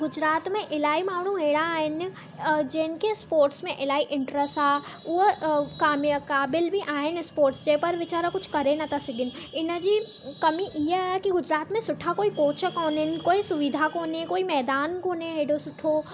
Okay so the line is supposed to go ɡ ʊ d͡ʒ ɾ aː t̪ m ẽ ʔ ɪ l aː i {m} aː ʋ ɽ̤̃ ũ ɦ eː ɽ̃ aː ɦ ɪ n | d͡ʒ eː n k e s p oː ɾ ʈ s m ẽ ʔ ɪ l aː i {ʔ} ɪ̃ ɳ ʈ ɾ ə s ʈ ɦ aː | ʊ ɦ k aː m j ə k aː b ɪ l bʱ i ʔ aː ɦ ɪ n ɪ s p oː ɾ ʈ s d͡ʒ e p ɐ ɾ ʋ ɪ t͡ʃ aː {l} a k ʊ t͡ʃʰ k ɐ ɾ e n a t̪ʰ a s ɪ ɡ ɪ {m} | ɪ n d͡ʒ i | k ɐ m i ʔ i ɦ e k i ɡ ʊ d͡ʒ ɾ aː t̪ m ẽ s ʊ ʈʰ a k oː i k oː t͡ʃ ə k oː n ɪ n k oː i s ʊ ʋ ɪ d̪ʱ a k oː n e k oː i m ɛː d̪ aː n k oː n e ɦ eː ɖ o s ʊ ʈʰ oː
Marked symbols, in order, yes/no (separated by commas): yes, yes, no, no